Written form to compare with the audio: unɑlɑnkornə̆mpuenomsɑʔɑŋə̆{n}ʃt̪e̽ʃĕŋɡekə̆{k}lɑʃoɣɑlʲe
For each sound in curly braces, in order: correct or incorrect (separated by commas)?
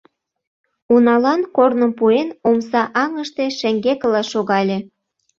incorrect, incorrect